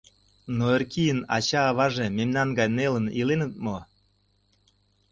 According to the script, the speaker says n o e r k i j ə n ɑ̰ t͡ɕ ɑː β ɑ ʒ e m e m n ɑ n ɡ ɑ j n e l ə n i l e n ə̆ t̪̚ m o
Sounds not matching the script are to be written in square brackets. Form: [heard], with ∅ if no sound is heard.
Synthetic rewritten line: n o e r k i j ə n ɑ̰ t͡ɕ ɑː β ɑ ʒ e m e m n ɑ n ɡ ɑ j n e l ə n i l e n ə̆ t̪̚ m o